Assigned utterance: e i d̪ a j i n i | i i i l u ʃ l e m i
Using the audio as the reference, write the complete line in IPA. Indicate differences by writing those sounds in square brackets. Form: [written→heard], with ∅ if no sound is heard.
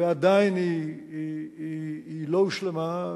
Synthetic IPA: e [i→a] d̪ a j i n i | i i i l [u→o] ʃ l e m [i→a]